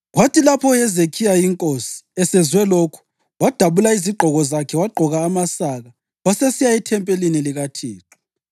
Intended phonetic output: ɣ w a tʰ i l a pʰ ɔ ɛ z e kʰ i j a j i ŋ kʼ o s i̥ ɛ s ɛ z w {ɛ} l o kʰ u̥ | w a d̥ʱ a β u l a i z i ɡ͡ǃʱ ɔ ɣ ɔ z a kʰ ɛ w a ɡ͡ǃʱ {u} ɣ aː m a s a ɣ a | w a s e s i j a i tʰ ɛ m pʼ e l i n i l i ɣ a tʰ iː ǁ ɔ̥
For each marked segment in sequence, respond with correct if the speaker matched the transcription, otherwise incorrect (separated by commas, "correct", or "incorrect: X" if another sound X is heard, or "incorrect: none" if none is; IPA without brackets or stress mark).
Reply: correct, incorrect: ɔ